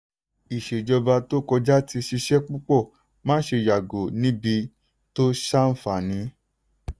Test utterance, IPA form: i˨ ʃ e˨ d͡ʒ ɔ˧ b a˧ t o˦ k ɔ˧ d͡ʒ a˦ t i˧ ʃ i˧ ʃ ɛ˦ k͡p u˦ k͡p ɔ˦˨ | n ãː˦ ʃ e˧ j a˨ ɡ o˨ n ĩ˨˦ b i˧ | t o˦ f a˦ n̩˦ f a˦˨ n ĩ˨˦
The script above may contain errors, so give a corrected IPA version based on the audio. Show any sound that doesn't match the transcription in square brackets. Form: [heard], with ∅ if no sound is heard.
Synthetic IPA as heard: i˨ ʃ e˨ d͡ʒ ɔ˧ b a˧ t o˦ k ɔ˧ d͡ʒ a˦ t i˧ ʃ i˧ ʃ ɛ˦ k͡p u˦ k͡p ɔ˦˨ | [m] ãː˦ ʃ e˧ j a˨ ɡ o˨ n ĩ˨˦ b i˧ | t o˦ [ʃ] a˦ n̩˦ f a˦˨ n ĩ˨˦